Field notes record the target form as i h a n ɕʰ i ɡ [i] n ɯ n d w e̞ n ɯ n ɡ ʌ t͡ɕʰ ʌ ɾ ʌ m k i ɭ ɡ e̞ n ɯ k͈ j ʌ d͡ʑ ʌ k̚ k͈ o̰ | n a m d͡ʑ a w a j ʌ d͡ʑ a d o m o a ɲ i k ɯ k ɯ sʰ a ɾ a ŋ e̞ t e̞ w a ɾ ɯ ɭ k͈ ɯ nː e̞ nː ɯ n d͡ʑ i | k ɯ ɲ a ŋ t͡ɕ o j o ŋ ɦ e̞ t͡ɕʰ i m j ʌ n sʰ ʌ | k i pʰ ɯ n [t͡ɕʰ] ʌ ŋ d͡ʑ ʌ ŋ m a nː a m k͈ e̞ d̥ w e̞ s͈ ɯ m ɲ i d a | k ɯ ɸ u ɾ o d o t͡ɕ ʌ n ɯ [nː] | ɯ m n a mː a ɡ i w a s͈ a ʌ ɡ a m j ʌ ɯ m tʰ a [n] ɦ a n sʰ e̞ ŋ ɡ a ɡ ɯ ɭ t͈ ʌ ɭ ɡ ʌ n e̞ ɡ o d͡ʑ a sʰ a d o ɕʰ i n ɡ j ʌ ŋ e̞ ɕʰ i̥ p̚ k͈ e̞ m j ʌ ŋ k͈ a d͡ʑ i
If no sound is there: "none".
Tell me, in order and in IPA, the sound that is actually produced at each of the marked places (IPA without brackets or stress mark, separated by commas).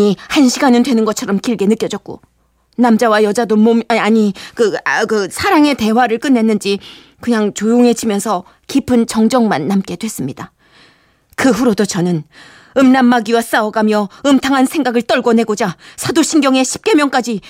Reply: a, t͡ɕ, n, ŋ